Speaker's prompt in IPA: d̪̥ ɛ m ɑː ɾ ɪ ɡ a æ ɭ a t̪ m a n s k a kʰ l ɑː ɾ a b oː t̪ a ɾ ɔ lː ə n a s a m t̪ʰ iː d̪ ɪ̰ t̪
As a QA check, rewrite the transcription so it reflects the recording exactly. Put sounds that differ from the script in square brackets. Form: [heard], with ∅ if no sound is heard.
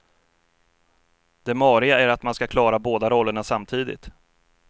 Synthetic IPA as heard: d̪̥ ɛ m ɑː ɾ ɪ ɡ a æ [ɾ] a t̪ m a n s k a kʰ l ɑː ɾ a b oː [d̪] a ɾ ɔ lː ə [ɳ] a s a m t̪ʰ iː d̪ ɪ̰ t̪